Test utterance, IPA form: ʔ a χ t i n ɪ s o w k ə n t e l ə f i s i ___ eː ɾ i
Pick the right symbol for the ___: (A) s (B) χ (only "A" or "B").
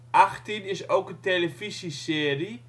A